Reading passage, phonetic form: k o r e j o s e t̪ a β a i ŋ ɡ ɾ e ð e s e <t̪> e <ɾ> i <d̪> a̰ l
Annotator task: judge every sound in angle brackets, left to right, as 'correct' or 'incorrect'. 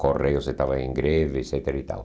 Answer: correct, correct, incorrect

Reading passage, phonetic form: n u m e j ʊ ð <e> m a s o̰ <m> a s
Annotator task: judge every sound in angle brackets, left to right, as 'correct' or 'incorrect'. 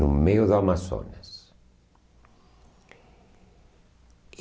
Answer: incorrect, incorrect

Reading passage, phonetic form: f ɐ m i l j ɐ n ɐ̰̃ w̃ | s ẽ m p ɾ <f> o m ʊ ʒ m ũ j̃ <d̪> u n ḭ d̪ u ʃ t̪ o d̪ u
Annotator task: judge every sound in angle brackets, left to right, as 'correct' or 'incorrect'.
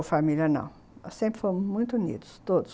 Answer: correct, incorrect

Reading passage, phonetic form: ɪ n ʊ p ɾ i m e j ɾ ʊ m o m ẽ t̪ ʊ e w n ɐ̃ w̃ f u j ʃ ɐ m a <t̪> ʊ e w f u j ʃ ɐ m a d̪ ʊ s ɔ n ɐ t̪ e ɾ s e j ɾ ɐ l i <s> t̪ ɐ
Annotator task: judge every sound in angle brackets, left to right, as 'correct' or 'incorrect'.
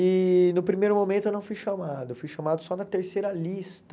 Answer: incorrect, correct

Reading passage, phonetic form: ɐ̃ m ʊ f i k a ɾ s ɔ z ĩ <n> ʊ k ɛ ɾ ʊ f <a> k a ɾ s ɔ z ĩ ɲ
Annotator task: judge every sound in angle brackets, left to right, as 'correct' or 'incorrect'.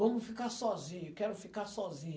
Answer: incorrect, incorrect

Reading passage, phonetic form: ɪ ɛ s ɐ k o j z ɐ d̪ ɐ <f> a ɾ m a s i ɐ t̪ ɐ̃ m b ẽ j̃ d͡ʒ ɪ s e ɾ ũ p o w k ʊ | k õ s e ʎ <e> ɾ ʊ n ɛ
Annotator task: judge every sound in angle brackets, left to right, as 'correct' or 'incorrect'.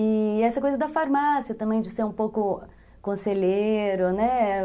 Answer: correct, correct

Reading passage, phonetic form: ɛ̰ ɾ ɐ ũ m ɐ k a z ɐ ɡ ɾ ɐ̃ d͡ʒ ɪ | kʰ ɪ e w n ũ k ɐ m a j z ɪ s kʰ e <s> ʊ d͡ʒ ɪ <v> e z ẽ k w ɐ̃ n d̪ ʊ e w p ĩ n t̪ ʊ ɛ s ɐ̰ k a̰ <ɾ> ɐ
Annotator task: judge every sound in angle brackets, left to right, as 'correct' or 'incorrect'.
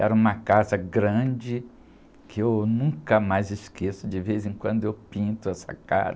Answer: correct, correct, correct

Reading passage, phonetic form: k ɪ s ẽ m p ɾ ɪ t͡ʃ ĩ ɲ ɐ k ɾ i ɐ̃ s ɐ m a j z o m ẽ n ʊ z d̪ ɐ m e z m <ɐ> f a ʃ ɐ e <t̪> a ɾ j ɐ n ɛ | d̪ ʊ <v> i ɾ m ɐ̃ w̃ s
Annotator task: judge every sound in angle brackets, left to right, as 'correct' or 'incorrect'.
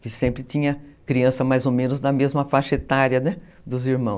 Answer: correct, correct, incorrect

